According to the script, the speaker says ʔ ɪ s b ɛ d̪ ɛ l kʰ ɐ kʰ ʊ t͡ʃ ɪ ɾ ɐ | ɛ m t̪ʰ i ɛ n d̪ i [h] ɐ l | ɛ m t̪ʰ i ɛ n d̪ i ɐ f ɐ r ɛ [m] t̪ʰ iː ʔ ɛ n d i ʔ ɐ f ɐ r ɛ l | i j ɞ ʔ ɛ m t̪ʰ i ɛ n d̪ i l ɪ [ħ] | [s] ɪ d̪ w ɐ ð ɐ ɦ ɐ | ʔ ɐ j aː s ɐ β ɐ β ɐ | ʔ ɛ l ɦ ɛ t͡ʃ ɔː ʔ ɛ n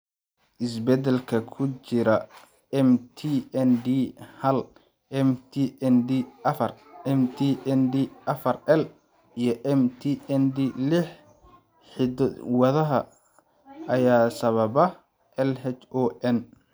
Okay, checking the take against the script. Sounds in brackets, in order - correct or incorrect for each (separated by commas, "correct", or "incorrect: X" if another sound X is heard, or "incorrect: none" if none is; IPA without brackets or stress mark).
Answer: correct, correct, correct, incorrect: ħ